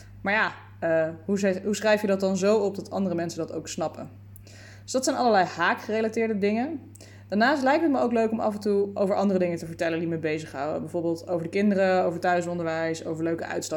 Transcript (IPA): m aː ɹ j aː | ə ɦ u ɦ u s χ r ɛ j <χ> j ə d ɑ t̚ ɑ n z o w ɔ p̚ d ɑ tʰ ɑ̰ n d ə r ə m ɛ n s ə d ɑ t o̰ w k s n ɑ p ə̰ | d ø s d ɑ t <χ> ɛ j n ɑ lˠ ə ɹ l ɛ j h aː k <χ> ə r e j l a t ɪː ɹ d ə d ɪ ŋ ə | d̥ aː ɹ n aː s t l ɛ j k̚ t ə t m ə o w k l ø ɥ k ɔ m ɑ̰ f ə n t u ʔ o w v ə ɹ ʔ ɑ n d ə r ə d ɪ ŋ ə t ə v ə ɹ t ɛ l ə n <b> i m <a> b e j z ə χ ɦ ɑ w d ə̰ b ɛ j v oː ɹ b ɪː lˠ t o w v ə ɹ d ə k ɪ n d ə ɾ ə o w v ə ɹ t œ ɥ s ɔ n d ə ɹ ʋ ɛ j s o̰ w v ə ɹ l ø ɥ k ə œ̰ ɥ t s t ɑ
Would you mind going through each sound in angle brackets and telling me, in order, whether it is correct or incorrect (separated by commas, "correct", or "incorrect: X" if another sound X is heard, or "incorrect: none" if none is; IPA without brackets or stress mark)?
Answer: incorrect: f, incorrect: s, correct, incorrect: d, incorrect: ə